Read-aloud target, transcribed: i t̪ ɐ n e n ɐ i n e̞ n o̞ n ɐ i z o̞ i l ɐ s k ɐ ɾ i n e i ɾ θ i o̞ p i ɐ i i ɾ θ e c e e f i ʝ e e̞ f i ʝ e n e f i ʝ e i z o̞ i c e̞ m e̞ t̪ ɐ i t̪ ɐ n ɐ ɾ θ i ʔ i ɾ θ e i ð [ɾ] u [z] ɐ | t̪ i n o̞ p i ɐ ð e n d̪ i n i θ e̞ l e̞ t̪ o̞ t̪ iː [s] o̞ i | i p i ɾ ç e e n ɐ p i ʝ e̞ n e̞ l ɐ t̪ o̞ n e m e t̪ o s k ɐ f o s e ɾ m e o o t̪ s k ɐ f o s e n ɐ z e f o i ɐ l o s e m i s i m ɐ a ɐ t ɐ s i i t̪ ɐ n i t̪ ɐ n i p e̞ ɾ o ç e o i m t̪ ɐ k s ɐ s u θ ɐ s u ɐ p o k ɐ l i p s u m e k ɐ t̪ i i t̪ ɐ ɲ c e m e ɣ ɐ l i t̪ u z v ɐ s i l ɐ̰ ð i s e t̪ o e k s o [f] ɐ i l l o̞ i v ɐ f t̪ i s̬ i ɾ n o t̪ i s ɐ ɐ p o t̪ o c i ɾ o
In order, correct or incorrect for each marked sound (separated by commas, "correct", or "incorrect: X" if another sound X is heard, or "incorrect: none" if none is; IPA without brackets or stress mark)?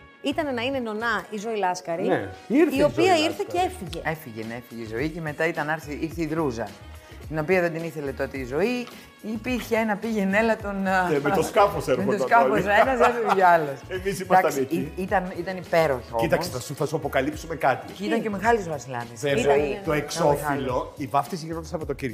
correct, correct, incorrect: z, correct